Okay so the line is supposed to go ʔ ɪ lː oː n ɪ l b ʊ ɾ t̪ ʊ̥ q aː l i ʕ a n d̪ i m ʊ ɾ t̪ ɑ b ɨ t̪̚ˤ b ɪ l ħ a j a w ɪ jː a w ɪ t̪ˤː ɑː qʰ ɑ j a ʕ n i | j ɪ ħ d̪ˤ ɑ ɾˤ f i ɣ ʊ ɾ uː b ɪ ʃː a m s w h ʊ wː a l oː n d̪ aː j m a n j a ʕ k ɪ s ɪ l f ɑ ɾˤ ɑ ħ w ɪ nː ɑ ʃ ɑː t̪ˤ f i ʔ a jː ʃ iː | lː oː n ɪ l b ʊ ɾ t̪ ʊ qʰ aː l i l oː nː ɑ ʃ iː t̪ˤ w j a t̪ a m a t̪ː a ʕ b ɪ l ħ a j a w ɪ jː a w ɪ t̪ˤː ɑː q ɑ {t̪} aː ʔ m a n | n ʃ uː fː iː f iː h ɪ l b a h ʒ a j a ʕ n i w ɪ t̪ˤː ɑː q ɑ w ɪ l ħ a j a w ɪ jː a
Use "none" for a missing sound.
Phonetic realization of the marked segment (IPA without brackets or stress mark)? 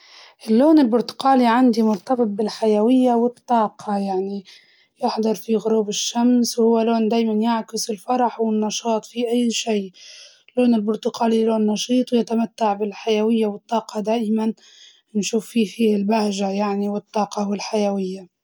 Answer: d̪